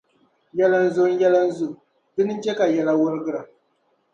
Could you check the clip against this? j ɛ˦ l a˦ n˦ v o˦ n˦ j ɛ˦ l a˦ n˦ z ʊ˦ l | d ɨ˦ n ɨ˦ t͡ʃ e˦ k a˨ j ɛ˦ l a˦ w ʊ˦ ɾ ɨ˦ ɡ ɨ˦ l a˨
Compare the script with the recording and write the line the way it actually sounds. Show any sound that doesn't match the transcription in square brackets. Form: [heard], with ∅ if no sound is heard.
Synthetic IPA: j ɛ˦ l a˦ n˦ [z] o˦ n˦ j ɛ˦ l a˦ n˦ z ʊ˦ [∅] | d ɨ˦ n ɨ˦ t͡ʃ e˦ k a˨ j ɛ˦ l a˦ w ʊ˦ ɾ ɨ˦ ɡ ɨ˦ [ɾ] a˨